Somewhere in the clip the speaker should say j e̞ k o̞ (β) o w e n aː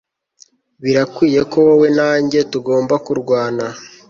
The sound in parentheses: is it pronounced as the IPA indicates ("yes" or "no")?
no